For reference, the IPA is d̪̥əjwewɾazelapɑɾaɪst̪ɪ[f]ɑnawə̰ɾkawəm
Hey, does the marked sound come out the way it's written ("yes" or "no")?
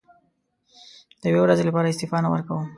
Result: yes